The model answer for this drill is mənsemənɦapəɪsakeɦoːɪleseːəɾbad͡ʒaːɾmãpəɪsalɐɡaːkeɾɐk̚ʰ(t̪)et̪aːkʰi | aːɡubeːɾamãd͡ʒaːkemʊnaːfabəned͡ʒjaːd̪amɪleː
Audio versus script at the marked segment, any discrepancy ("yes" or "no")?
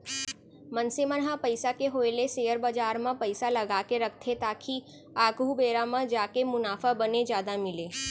yes